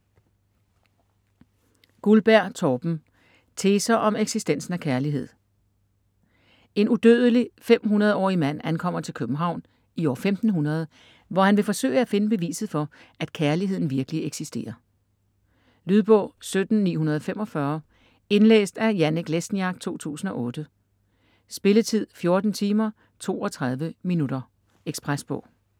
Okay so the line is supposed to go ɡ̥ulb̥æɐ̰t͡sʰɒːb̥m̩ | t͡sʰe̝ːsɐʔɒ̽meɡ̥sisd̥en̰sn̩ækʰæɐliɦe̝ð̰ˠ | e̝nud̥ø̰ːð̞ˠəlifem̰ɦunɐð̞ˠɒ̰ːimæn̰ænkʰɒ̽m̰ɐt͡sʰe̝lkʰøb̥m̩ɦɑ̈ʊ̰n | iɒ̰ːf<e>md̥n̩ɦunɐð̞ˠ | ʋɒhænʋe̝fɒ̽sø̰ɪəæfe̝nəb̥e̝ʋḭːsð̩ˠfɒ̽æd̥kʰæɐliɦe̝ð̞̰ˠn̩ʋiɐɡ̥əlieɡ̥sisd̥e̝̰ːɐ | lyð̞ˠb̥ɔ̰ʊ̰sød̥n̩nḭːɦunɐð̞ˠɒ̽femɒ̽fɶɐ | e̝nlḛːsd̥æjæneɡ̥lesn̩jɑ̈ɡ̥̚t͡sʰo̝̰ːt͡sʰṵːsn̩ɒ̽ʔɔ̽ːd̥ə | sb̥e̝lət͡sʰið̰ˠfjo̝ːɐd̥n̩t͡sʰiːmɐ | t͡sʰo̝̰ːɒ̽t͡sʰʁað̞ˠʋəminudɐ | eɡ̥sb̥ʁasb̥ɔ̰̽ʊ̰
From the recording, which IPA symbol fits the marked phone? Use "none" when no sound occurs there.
e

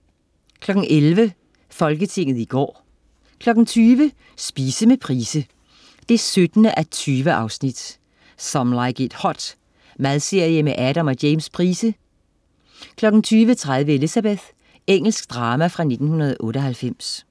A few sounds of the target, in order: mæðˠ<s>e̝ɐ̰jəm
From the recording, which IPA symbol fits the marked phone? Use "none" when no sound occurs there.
s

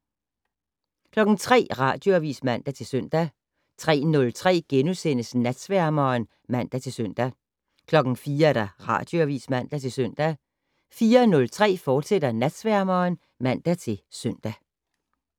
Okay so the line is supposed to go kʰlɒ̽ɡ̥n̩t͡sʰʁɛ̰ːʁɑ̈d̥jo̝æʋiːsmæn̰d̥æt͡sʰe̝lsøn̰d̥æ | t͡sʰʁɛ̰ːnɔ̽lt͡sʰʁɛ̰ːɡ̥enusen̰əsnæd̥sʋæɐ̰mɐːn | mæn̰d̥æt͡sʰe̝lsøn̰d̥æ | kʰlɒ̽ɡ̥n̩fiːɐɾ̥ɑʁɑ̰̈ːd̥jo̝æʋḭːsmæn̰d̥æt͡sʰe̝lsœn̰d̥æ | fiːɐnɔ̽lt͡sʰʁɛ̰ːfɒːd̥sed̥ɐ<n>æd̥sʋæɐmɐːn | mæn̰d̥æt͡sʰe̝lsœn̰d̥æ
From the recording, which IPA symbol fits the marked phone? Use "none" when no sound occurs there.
n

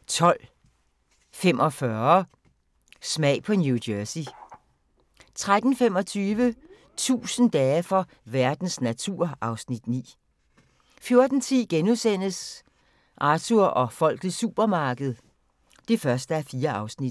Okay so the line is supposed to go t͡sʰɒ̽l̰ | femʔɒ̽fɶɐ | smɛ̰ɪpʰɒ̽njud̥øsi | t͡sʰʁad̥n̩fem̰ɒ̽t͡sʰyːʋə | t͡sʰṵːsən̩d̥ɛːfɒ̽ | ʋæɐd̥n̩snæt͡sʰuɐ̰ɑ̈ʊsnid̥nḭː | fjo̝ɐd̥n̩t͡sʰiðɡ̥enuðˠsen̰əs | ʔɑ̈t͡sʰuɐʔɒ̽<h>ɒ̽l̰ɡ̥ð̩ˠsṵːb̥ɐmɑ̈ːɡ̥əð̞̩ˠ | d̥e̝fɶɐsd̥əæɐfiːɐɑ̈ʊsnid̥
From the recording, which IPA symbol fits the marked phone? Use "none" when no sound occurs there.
f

